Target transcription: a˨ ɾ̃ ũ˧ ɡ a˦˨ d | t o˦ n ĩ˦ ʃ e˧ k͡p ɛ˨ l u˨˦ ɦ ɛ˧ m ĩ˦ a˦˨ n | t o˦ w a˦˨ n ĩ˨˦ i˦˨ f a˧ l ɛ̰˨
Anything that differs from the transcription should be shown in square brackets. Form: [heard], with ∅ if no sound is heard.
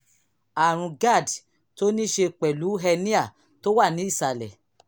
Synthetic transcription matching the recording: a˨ ɾ̃ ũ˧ ɡ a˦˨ d | t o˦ n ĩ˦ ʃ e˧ k͡p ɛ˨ l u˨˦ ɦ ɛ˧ [n] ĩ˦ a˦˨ [∅] | t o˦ w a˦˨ n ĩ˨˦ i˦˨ [s] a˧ l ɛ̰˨